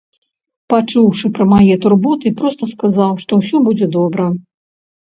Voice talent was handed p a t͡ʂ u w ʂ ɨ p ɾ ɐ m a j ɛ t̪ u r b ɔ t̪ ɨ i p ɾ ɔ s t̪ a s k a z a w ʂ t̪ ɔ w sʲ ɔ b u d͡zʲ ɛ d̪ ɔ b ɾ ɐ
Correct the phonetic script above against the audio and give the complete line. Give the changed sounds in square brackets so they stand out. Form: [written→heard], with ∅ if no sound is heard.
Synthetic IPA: p a t͡ʂ u w ʂ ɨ p ɾ ɐ m a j ɛ t̪ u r b ɔ t̪ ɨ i p ɾ ɔ s t̪ [a→ɐ] s k a z a w ʂ t̪ ɔ w sʲ ɔ b u d͡zʲ ɛ d̪ ɔ b ɾ ɐ